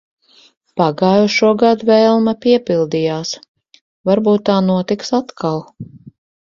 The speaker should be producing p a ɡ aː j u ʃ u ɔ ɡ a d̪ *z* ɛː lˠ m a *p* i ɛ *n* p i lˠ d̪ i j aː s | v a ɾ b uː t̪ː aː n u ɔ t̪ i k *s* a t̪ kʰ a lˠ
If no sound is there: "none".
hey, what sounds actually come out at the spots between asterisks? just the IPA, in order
v, p, none, s

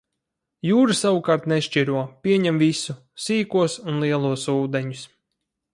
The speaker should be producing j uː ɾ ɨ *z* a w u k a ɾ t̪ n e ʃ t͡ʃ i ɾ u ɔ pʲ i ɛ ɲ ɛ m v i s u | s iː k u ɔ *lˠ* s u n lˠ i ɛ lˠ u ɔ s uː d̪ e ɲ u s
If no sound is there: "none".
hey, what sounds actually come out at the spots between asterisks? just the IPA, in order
s, none

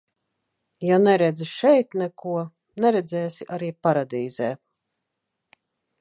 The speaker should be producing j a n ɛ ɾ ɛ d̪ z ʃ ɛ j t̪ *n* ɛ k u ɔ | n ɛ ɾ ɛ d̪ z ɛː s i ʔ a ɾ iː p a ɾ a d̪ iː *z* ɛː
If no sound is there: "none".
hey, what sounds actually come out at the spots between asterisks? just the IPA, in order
n, z

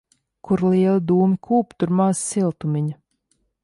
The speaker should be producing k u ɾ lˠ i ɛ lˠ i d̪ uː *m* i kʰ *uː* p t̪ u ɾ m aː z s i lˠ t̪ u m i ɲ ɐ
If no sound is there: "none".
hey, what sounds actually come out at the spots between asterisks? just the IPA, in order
m, uː

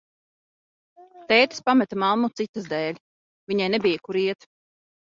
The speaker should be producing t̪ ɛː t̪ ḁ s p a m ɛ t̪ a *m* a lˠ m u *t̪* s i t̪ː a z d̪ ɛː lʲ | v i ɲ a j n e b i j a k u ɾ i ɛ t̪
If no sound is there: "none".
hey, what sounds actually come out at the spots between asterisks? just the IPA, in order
m, t̪

